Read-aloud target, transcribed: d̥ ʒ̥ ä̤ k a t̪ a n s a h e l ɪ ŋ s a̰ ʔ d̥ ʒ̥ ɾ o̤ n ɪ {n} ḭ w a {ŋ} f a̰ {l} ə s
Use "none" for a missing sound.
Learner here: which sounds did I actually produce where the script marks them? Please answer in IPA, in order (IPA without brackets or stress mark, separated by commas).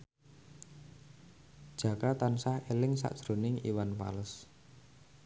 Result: ŋ, n, l